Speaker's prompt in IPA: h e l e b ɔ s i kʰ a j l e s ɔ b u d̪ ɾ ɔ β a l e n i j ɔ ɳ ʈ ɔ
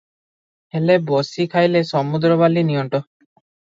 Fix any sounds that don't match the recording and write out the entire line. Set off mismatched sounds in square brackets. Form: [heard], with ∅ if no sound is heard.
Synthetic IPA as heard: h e l e b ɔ s i kʰ a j l e s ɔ [m] u d̪ ɾ ɔ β a l [i] n i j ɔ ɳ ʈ ɔ